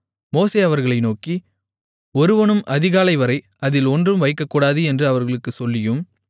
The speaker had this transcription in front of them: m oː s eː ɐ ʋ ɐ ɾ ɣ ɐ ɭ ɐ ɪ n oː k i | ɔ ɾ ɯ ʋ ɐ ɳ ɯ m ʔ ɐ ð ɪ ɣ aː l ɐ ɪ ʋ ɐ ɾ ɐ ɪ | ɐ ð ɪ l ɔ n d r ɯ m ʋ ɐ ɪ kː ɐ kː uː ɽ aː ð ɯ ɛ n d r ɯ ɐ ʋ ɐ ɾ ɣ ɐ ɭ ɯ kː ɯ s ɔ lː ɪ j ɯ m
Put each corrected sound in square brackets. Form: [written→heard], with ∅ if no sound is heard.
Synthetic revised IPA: m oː s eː ɐ ʋ ɐ ɾ ɣ ɐ ɭ ɐ ɪ n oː k i | ɔ ɾ ɯ ʋ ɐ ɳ ɯ m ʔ ɐ ð ɪ ɣ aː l ɐ ɪ ʋ ɐ ɾ ɐ ɪ | ɐ ð ɪ l ɔ n d r ɯ m ʋ ɐ ɪ kː ɐ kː uː ɽ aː ð ɯ ɛ n d r ɯ ɐ ʋ ɐ ɾ ɣ ɐ ɭ ɯ kː ɯ s ɔ lː ɪ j ɯ m